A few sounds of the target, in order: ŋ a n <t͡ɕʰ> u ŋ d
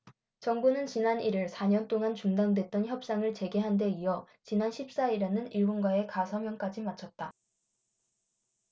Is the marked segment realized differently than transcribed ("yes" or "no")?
yes